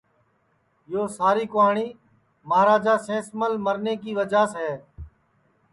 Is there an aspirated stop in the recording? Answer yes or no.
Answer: no